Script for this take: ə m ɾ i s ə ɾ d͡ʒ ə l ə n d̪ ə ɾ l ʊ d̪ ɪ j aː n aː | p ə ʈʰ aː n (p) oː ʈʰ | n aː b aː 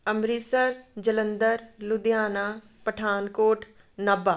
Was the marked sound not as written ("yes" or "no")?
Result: yes